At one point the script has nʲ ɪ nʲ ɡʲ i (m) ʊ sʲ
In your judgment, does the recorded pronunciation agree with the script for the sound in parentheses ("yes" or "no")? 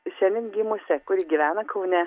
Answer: yes